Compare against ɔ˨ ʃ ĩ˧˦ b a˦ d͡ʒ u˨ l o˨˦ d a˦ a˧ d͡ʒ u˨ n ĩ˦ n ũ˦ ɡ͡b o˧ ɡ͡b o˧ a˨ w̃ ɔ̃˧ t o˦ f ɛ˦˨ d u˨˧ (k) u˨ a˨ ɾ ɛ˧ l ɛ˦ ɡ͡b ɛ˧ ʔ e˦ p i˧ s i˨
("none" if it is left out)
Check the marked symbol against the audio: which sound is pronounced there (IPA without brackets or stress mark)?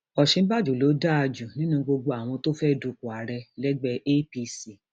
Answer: k